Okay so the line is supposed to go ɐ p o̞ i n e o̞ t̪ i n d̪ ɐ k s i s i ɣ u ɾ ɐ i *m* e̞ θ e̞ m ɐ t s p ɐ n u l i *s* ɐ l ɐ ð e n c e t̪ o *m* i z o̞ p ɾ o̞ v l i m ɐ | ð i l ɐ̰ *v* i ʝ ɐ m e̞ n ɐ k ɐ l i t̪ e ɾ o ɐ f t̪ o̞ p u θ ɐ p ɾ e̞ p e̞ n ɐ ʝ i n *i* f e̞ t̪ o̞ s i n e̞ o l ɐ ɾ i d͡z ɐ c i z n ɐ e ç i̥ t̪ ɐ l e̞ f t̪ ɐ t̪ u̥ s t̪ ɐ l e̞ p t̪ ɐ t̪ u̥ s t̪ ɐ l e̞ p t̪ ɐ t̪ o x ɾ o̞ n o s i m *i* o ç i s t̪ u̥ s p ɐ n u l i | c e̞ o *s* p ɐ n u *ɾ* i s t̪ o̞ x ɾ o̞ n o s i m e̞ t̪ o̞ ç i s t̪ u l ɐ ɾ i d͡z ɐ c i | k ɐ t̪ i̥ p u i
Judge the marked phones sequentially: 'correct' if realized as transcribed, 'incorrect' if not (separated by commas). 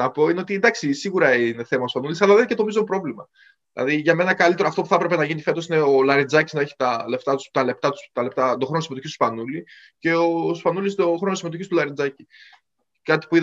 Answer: incorrect, correct, correct, incorrect, correct, incorrect, correct, incorrect